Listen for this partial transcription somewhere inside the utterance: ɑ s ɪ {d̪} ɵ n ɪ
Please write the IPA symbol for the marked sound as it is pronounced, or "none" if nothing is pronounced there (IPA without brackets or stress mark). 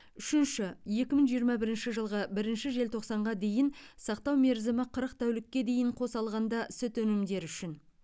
t̪